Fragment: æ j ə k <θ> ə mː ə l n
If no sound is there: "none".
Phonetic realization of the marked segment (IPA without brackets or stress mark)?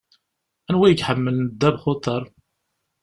ħ